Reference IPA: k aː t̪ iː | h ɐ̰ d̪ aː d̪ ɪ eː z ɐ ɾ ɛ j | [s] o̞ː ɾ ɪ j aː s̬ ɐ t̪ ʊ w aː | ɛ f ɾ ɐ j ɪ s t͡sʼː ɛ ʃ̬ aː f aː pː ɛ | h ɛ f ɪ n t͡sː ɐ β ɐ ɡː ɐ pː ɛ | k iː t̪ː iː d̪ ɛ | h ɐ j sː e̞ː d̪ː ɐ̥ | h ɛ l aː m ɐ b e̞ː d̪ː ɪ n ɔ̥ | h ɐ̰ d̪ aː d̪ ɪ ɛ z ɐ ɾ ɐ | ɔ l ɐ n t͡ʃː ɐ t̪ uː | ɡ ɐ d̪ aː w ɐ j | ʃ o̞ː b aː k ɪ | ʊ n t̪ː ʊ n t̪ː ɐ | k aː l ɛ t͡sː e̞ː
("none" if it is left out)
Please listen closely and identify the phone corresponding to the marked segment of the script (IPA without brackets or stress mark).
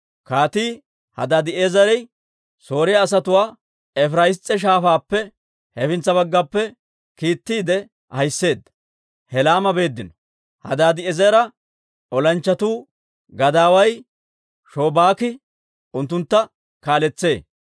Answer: s